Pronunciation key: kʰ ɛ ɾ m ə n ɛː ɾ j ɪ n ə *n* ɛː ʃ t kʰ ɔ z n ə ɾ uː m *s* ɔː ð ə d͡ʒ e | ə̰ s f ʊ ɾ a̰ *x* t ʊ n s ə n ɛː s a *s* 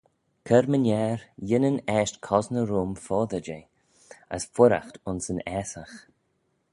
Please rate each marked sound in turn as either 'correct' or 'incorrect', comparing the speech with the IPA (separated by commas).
correct, incorrect, correct, incorrect